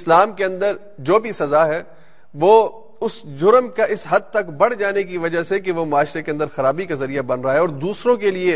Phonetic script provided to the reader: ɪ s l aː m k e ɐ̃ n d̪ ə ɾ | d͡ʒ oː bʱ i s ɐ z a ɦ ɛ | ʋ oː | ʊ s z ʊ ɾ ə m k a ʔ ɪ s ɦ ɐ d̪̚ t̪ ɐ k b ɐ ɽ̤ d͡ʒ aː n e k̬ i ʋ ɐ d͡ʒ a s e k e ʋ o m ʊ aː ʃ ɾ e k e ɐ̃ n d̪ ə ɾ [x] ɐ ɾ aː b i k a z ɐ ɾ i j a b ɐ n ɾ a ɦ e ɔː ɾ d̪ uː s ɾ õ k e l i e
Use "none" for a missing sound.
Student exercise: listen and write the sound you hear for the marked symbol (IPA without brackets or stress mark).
x